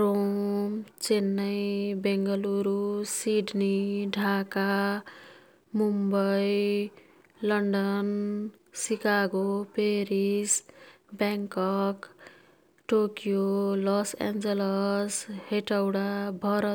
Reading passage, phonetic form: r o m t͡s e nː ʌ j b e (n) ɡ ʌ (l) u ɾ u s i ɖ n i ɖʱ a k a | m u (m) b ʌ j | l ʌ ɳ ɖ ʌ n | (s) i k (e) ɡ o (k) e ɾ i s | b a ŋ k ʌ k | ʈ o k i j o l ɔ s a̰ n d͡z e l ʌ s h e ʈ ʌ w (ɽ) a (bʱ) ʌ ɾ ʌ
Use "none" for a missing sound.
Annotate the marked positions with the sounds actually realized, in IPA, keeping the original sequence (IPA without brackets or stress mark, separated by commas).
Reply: ŋ, l, m, s, a, p, ɽ, bʱ